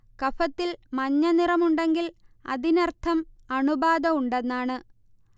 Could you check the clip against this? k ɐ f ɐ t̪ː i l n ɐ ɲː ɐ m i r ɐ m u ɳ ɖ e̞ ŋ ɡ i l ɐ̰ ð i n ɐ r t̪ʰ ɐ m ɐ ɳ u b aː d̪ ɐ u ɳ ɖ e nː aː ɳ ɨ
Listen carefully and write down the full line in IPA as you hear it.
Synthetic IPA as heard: k ɐ f ɐ t̪ː i l m ɐ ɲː ɐ n i r ɐ m u ɳ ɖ e̞ ŋ ɡ i l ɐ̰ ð i n ɐ r t̪ʰ ɐ m ɐ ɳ u b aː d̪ ɐ u ɳ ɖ e nː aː ɳ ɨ

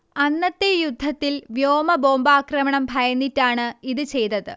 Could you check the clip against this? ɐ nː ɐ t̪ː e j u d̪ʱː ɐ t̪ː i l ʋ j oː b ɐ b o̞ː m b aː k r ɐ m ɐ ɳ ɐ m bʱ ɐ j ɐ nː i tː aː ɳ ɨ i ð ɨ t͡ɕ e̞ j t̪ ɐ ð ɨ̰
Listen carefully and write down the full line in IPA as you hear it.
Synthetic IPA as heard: ɐ nː ɐ t̪ː e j u d̪ʱː ɐ t̪ː i l ʋ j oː m ɐ b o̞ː m b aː k r ɐ m ɐ ɳ ɐ m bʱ ɐ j ɐ nː i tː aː ɳ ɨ i ð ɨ t͡ɕ e̞ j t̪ ɐ ð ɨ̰

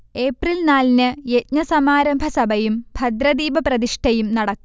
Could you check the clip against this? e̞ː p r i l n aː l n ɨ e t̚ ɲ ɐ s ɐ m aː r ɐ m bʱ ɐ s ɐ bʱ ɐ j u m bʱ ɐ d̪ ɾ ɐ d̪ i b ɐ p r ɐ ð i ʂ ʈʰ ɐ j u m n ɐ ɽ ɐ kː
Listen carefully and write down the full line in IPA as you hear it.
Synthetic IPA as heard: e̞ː p r i l n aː l n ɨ e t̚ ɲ ɐ s ɐ m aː ɾ ɐ m bʱ ɐ s ɐ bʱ ɐ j u m bʱ ɐ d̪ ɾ ɐ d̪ iː b ɐ p r ɐ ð i ʂ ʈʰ ɐ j u m n ɐ ɽ ɐ kː

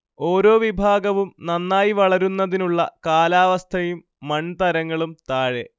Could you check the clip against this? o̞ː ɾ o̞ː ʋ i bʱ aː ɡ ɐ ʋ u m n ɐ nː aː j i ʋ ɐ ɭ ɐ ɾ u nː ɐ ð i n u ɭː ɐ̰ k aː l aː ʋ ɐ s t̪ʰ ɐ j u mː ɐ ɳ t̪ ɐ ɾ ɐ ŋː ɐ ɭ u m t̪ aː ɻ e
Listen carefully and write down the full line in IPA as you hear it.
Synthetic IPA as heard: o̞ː ɾ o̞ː ʋ i bʱ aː ɡ ɐ ʋ u m n ɐ nː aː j i ʋ ɐ ɭ ɐ ɾ u nː ɐ ð i n u ɭː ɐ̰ k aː l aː ʋ ɐ s t̪ʰ ɐ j u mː ɐ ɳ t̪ ɐ ɾ ɐ ŋː ɐ ɭ u m t̪ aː ɻ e

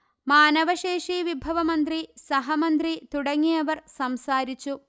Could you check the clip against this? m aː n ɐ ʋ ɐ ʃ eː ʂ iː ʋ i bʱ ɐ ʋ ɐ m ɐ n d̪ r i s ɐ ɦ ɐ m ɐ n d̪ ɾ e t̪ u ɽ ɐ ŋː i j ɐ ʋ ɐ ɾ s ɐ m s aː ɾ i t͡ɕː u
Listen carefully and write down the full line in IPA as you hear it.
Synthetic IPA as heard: m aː n ɐ ʋ ɐ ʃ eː ʂ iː ʋ i bʱ ɐ ʋ ɐ m ɐ n d̪ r i s ɐ ɦ ɐ m ɐ n d̪ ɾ i t̪ u ɽ ɐ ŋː i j ɐ ʋ ɐ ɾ s ɐ m s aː ɾ i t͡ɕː u

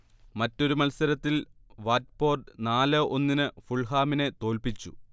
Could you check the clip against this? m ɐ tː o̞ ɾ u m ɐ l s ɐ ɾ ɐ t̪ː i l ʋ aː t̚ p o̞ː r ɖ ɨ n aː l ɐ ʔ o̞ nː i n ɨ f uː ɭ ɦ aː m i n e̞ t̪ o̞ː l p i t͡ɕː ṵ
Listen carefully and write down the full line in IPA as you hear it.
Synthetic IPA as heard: m ɐ tː o̞ ɾ u m ɐ l s ɐ ɾ ɐ t̪ː i l ʋ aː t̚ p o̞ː r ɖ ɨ n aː l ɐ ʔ o̞ nː i n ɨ f u ɭ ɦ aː m i n e̞ t̪ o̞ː l p i t͡ɕː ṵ

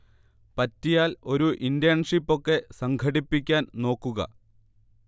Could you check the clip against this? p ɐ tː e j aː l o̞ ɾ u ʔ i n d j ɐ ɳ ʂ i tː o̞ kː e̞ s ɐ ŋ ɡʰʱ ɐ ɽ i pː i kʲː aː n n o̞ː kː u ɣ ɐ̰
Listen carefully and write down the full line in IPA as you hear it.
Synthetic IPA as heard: p ɐ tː i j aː l o̞ ɾ u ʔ i n d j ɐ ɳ ʂ i pː o̞ kː e̞ s ɐ ŋ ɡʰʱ ɐ ɽ i pː i kʲː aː n n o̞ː kː u ɣ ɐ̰

